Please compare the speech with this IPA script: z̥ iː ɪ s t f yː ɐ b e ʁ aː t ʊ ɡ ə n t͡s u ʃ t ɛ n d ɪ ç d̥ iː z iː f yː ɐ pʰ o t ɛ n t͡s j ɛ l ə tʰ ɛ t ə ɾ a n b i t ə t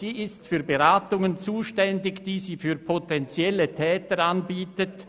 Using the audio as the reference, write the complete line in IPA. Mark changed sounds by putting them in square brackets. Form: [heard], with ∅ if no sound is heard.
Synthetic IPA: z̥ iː ɪ s t f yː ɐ b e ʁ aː t ʊ [ŋ] ə n t͡s [uː] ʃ t ɛ n d ɪ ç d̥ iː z iː f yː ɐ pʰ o t ɛ n t͡s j ɛ l ə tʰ [ɛː] t ə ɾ a n b [iː] t ə t